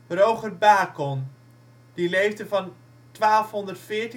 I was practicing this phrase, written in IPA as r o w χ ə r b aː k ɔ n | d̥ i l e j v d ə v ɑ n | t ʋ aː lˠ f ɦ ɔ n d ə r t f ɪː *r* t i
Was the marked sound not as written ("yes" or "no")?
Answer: yes